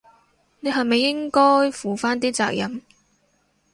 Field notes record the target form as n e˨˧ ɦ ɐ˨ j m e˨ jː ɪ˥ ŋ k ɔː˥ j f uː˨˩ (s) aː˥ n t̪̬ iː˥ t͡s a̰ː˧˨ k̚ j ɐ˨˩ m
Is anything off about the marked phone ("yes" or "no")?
yes